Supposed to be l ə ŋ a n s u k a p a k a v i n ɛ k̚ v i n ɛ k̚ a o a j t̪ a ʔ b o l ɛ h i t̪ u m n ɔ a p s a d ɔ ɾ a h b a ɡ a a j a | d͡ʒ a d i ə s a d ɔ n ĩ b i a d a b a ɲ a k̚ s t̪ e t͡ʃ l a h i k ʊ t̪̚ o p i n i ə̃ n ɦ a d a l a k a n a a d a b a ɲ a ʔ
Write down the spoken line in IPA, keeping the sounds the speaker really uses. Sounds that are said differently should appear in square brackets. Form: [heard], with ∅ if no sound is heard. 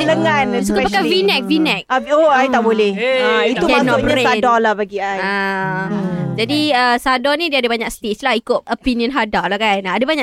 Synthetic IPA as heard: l ə ŋ a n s u k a p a k a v i n ɛ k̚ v i n ɛ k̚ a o a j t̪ a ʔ b o l ɛ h i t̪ u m n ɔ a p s a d ɔ [l] a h b a ɡ [i] a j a | d͡ʒ a d i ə s a d ɔ n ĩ [d] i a d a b a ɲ a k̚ s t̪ e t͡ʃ l a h i k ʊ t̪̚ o p i n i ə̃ n ɦ a d a l a k a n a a d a b a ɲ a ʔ